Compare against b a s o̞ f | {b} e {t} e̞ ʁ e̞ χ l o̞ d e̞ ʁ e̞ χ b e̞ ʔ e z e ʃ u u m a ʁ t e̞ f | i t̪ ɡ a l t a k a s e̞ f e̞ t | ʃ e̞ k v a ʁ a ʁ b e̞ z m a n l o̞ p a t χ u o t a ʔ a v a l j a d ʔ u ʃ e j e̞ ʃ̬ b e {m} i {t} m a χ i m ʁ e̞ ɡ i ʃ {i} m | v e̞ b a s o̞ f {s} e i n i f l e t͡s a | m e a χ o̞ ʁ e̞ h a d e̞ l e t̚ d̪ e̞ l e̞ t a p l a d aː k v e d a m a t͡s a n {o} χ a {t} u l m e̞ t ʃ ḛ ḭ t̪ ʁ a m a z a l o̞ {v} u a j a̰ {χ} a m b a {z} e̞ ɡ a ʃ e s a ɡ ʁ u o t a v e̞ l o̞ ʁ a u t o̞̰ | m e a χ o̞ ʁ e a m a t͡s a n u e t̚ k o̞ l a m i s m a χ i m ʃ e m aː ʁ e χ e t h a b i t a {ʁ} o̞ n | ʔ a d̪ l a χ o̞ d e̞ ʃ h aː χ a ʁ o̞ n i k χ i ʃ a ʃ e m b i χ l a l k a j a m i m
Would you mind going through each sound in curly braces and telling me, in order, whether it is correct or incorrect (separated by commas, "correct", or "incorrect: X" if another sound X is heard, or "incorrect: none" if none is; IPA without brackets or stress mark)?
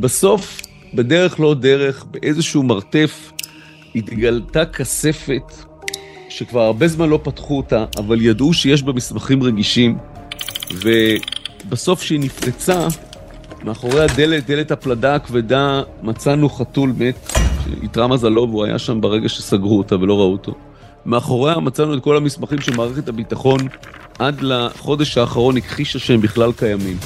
correct, incorrect: d, correct, incorrect: s, correct, incorrect: ʃ, incorrect: u, correct, correct, incorrect: ʃ, incorrect: ʁ, incorrect: χ